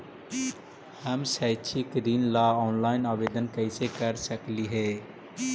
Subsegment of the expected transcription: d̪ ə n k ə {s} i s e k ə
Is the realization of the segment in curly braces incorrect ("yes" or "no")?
yes